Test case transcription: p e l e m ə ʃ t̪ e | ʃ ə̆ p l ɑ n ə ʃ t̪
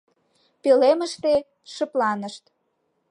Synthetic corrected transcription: p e l e m ə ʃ t̪ e | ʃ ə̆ p l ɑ n ə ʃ t̪